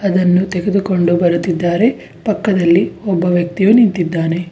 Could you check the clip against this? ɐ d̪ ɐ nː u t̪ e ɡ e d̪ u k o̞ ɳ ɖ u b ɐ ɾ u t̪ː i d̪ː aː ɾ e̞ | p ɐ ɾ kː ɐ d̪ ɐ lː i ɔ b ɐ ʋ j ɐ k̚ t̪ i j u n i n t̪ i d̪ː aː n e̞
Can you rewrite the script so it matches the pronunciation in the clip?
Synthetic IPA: ɐ d̪ ɐ nː u t̪ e ɡ e d̪ u k o̞ ɳ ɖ u b ɐ ɾ u t̪ː i d̪ː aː ɾ e̞ | p ɐ kː ɐ d̪ ɐ lː i ɔ bː ɐ ʋ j ɐ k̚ t̪ i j u n i n t̪ i d̪ː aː n e̞

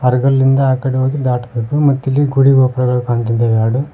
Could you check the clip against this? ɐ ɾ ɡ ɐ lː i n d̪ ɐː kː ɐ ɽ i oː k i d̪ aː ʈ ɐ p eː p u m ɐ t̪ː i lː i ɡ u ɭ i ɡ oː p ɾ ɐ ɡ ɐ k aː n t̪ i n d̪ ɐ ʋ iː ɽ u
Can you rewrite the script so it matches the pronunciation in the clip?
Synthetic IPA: ɐ ɾ ɡ ɐ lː i n d̪ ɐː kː ɐ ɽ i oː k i d̪ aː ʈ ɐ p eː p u m ɐ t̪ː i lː i ɡ u ɽ i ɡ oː p ɾ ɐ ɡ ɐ k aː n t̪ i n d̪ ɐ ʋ aː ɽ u

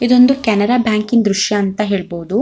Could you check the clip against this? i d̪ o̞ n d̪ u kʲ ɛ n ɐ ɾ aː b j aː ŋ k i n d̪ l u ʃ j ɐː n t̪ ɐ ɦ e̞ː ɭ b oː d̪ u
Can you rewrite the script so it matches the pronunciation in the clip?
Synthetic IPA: i d̪ o̞ n d̪ u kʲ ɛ n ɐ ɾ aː b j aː ŋ k i n d̪ ɾ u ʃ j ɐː n t̪ ɐ ɦ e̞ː ɭ b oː d̪ u

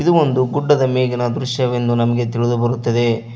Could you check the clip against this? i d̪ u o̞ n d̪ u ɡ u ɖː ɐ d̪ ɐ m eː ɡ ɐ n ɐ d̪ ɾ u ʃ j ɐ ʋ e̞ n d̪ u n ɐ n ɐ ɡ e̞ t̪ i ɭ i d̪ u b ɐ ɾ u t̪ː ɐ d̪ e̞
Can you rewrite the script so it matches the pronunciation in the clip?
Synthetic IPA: i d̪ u o̞ n d̪ u ɡ u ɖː ɐ d̪ ɐ m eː ɡ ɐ n ɐ d̪ ɾ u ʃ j ɐ ʋ e̞ n d̪ u n ɐ m ɐ ɡ e̞ t̪ i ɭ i d̪ u b ɐ ɾ u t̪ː ɐ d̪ e̞

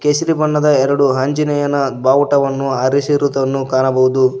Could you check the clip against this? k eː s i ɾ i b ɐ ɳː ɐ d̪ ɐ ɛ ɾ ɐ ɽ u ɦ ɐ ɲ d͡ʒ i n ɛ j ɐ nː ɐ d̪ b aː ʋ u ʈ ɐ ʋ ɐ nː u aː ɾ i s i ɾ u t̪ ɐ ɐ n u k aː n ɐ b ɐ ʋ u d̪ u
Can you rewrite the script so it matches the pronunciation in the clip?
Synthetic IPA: k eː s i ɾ i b ɐ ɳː ɐ d̪ ɐ ɛ ɾ ɐ ɽ u ɦ ɐ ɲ d͡ʒ i n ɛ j ɐ n ɐ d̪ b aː ʋ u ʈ ɐ ʋ ɐ nː u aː ɾ i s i ɾ u t̪ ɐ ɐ nː u k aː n ɐ b ɐ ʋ u d̪ u

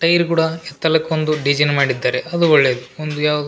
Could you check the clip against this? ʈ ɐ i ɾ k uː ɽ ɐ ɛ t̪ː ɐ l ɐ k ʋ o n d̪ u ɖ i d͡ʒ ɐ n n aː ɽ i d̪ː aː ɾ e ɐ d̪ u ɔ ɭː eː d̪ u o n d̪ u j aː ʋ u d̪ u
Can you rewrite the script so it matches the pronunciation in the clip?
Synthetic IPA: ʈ ɐ j ɾ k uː ɽ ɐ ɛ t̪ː ɐ l ɐ k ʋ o n d̪ u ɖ i d͡ʒ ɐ n m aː ɽ i d̪ː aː ɾ e ɐ d̪ u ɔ ɭː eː d̪ u o n d̪ u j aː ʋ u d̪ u

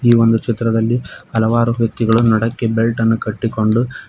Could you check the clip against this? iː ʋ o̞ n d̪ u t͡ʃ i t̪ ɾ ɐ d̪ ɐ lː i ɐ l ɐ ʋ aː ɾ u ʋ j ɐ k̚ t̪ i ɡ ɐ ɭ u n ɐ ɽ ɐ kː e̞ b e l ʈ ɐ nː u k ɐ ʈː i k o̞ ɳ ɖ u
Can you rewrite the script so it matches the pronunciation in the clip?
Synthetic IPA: iː ʋ o̞ n d̪ u t͡ʃ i t̪ ɾ ɐ d̪ ɐ lː i ɐ l ɐ ʋ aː ɾ u ʋ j ɐ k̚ t̪ i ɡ ɐ ɭ u n ɐ ɽ ɐ kː e̞ b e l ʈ ɐ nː u k ɐ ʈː i k o̞ ɳ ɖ u

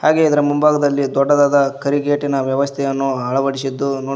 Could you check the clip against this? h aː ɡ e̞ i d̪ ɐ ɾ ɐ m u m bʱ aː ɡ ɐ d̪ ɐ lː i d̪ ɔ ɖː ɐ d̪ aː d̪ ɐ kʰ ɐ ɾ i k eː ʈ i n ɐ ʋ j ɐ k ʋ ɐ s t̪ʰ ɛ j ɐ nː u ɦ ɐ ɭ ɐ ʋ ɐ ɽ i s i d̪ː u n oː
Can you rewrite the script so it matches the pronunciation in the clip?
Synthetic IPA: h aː ɡ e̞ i d̪ ɐ ɾ ɐ m u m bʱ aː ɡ ɐ d̪ ɐ lː i d̪ ɔ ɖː ɐ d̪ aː d̪ ɐ k ɐ ɾ i ɡ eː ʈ i n ɐ ʋ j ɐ ʋ ɐ s t̪ʰ ɛ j ɐ nː u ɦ ɐ ɭ ɐ ʋ ɐ ɽ i s i d̪ː u n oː

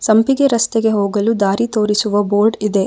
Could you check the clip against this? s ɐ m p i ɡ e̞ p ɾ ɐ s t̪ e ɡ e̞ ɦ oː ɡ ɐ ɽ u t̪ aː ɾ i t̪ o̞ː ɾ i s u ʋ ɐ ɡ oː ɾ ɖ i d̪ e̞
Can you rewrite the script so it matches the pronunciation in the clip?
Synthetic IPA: s ɐ m p i ɡ e̞ ɾ ɐ s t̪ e ɡ e̞ ɦ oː ɡ ɐ l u d̪ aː ɾ i t̪ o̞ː ɾ i s u ʋ ɐ b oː ɾ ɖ i d̪ e̞

